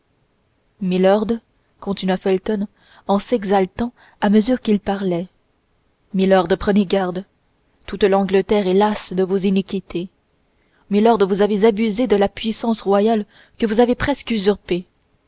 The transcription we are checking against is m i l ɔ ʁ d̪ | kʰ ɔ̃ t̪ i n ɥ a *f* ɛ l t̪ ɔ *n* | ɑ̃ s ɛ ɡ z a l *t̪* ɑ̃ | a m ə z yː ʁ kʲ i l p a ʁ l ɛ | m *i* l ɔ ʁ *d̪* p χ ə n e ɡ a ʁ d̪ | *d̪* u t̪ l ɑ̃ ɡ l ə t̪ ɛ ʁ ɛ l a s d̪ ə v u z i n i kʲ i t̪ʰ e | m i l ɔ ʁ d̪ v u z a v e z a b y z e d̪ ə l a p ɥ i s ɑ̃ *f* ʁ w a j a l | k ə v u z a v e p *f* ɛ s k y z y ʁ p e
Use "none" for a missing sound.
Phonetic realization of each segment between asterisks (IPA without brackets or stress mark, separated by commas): f, n, t̪, i, d̪, t̪, s, χ